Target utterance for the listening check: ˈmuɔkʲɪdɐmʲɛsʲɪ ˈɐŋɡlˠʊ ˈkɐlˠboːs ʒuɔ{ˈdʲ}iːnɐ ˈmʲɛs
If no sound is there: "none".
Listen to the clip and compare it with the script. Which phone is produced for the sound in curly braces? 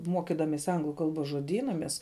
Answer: dʲ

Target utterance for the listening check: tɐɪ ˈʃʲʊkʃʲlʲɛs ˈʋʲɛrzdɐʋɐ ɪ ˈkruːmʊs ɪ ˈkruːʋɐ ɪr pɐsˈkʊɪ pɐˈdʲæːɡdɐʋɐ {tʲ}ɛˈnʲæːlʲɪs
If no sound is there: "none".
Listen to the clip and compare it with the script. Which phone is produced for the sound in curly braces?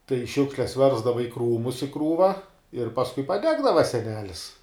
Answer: sʲ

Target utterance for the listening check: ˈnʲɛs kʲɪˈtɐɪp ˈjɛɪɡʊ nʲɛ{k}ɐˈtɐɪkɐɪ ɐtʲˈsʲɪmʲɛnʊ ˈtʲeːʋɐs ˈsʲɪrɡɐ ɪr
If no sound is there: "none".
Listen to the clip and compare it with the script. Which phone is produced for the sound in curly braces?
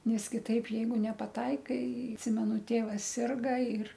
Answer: p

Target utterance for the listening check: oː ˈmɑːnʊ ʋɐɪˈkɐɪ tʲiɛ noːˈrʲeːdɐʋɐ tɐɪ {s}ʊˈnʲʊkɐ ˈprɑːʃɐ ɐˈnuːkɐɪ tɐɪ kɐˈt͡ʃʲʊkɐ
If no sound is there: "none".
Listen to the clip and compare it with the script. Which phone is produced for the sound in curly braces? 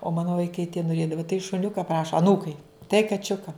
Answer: ʃ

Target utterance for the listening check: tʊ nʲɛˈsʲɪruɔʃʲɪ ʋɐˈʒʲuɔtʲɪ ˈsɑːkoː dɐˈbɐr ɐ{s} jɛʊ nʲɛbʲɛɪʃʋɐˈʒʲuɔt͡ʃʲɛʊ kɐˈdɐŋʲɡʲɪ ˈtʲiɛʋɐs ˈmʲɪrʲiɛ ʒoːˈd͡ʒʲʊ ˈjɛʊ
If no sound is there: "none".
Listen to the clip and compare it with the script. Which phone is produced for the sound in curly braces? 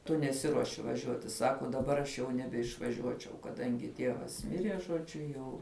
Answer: ʃ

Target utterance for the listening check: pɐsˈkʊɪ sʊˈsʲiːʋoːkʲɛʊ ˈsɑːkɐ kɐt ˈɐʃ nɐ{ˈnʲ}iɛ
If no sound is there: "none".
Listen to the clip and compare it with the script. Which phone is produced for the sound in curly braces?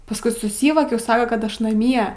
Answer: mʲ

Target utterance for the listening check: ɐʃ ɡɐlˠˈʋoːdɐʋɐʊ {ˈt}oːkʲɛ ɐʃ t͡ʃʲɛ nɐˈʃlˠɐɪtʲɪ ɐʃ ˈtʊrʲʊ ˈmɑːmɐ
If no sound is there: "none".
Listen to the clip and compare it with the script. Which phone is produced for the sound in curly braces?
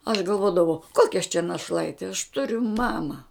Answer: k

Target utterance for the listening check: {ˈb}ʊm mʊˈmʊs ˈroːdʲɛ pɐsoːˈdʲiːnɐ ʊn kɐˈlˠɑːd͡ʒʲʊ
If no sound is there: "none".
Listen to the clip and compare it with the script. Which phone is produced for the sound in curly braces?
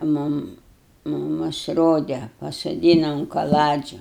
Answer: m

